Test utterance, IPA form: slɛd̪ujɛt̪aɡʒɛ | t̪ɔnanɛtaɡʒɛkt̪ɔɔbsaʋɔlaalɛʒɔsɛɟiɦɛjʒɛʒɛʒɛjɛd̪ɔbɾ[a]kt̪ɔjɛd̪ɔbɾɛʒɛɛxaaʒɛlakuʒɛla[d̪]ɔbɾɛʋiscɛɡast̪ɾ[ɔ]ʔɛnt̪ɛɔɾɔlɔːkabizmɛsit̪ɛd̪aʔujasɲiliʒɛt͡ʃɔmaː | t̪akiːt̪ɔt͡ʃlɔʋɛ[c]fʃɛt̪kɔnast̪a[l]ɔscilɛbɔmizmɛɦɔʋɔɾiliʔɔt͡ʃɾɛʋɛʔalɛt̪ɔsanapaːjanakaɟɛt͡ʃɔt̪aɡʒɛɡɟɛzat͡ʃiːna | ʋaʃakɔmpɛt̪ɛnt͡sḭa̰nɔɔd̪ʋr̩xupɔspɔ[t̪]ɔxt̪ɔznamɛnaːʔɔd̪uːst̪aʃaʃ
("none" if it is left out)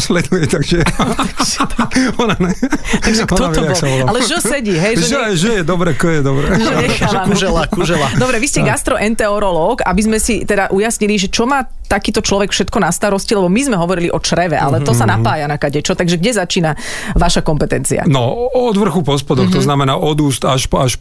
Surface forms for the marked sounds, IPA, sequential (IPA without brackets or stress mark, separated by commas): ɛ, d̪, ɔ, k, ɾ, d̪